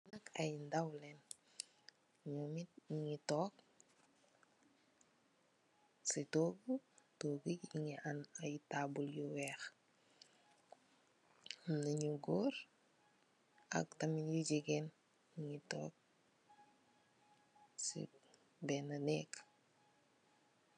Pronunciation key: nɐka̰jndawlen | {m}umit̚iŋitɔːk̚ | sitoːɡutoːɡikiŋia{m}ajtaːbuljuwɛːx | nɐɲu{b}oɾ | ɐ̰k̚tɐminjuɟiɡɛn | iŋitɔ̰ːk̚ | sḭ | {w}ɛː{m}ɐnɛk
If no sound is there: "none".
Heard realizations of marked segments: ɲ, n, ɡ, b, n

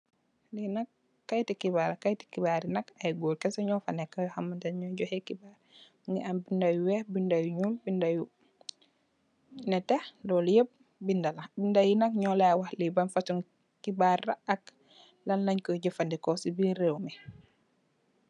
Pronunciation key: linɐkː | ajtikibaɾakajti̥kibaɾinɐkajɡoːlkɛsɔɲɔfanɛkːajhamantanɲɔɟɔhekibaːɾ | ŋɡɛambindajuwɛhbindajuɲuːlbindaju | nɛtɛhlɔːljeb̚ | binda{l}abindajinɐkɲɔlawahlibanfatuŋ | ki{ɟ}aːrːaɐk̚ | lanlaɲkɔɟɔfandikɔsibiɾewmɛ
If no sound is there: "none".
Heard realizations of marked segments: l, b

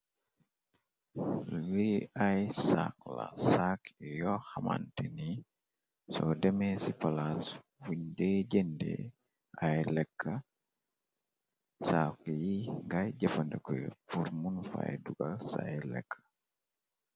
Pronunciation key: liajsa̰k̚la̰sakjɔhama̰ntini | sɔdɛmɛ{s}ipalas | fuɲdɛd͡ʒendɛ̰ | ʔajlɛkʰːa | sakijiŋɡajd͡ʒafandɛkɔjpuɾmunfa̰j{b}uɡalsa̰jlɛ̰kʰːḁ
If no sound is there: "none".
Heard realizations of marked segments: s, d

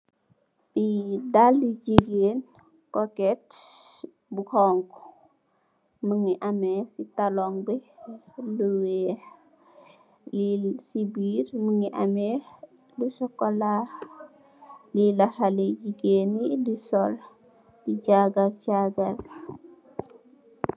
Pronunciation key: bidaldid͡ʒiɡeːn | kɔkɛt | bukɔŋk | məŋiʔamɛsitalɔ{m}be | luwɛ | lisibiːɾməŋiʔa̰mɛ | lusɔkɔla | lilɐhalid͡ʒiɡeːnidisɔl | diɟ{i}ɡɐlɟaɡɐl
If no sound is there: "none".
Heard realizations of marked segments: ŋ, a

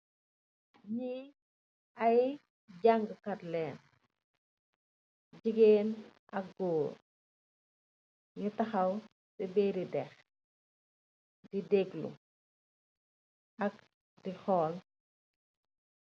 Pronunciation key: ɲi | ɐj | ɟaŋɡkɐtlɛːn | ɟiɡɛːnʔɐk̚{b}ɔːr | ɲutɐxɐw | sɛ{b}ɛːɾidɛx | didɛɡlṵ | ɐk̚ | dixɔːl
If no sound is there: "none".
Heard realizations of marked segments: ɡ, b

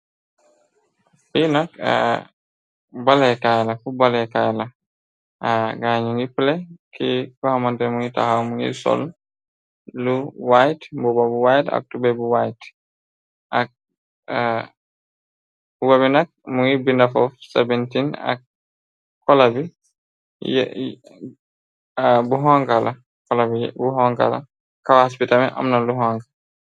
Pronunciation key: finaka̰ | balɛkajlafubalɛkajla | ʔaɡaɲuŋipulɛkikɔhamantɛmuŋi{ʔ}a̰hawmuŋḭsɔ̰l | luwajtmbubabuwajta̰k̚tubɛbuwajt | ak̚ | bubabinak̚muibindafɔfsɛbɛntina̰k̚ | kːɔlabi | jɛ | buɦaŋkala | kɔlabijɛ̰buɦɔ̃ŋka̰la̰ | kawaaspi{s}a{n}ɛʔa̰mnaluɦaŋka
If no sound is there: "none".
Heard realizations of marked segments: t, t, m

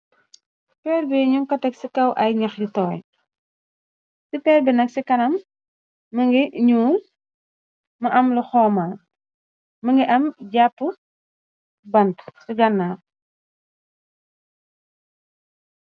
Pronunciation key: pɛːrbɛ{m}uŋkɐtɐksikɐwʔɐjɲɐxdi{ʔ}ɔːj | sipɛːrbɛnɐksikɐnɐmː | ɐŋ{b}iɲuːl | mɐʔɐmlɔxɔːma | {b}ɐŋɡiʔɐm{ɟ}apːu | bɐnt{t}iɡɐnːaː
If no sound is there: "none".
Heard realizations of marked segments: ɲ, t, ɡ, m, ɟ, s

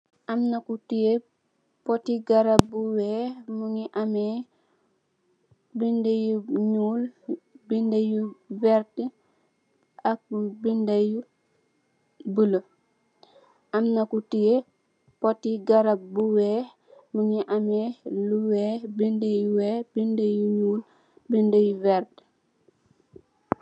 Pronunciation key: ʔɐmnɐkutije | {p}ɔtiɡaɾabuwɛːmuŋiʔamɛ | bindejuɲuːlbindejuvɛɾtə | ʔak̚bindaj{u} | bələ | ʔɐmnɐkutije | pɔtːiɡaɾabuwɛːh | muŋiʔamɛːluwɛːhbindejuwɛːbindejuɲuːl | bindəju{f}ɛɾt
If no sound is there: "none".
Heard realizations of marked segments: p, u, v

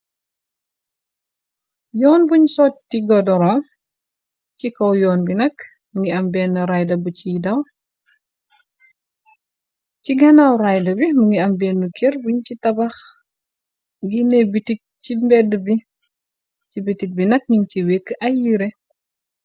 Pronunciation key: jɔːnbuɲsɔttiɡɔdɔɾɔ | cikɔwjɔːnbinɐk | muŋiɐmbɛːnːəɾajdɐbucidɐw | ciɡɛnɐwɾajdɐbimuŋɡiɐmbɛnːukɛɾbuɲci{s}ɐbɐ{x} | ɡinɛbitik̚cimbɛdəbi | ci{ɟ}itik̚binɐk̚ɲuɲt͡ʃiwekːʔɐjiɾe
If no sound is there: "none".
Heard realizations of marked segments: t, x, b

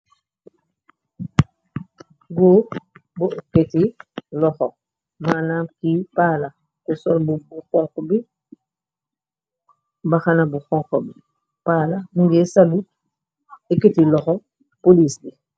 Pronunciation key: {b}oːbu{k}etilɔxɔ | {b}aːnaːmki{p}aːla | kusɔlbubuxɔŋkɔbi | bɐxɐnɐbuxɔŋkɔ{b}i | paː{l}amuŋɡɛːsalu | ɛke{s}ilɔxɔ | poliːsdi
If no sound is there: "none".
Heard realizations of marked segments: ɡ, k, m, p, b, l, t

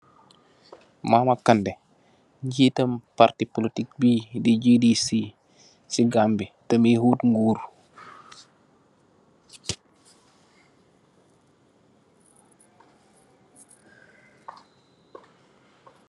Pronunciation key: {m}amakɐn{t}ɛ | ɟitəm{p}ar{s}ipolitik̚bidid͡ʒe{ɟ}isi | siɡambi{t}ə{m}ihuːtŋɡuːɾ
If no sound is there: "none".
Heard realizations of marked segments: m, d, p, t, d, t, m

